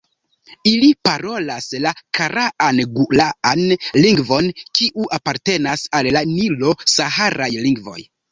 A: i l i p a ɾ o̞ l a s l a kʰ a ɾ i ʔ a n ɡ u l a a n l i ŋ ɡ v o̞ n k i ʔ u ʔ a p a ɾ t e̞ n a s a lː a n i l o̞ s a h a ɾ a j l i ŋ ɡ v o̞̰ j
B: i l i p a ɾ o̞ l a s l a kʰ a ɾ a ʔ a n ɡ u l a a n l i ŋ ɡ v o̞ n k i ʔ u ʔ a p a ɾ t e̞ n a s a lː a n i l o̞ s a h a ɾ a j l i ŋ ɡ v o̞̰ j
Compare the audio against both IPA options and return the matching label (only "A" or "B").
B